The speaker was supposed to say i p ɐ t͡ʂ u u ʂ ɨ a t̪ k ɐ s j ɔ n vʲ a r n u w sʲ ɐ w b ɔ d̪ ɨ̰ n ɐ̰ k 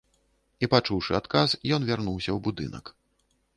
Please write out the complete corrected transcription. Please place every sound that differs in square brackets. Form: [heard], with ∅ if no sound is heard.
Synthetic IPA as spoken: i p [a] t͡ʂ u [w] ʂ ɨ a t̪ k [a] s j ɔ n vʲ a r n u w sʲ ɐ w b [u] d̪ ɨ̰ n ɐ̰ k